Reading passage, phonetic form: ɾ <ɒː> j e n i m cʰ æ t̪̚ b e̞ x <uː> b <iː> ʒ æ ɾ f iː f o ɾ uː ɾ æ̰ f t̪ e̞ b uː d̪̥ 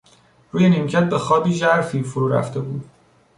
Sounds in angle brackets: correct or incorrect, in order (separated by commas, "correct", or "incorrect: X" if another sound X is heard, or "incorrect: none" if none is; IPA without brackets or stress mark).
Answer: incorrect: uː, incorrect: ɒː, correct